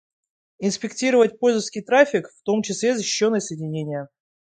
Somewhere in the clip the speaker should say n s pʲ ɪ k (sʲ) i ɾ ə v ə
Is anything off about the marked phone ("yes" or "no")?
yes